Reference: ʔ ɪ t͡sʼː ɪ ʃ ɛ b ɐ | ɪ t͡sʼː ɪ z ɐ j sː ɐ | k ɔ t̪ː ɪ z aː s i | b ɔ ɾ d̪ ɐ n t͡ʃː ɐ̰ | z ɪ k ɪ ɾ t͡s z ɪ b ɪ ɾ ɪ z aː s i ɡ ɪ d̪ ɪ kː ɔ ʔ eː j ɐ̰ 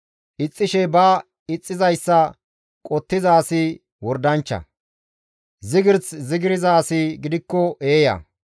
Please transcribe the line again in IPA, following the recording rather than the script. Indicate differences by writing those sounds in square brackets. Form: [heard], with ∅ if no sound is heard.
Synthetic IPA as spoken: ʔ ɪ t͡sʼː ɪ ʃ ɛ b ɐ | ɪ t͡sʼː ɪ z ɐ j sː ɐ | [kʼ] ɔ t̪ː ɪ z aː s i | [w] ɔ ɾ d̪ ɐ n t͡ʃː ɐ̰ | z ɪ [ɡ] ɪ ɾ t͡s z ɪ [ɡ] ɪ ɾ ɪ z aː s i ɡ ɪ d̪ ɪ kː ɔ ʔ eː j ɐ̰